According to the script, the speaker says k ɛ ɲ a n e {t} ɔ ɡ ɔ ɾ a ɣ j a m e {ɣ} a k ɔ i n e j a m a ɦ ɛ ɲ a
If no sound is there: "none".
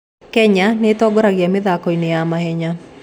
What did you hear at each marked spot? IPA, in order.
t, ð

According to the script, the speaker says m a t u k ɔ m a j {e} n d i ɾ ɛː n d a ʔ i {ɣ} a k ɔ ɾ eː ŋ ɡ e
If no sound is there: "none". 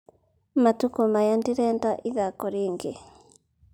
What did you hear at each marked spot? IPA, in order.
a, ð

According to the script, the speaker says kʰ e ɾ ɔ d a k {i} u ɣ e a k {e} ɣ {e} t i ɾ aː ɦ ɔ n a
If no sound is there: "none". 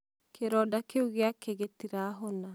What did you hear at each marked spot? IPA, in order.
e, e, e

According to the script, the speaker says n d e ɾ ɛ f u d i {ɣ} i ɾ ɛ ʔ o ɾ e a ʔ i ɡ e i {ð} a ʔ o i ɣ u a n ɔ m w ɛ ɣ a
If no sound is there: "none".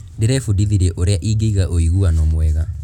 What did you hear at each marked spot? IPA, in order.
ð, ɣ

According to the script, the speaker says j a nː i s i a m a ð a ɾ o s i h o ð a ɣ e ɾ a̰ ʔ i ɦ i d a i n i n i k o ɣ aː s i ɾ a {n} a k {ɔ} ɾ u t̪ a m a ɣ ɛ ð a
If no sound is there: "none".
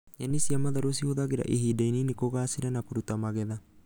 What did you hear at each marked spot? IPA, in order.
n, u

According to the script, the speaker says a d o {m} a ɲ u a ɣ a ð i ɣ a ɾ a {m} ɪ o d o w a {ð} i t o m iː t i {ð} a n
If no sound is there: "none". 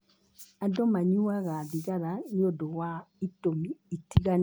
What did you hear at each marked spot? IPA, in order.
m, n, none, ɣ

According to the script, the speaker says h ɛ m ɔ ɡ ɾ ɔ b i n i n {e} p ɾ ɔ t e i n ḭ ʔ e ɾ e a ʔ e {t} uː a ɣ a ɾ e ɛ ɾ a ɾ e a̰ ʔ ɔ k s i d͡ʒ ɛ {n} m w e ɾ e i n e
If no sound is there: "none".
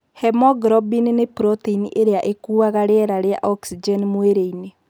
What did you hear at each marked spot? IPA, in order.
e, k, n

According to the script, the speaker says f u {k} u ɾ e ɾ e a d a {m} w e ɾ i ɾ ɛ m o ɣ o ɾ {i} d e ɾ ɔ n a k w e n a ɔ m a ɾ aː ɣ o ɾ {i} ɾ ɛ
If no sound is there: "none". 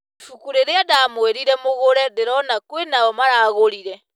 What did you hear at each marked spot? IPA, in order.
k, m, ɛ, i

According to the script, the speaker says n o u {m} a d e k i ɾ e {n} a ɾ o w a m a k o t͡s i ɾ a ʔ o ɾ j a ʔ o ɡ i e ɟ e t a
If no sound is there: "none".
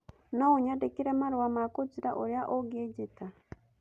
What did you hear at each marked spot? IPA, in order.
ɲ, m

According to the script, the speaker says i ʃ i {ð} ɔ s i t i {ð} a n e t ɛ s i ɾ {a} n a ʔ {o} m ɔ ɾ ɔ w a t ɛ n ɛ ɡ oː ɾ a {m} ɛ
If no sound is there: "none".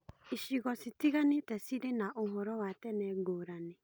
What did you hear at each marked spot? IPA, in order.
ɣ, ɣ, e, o, n

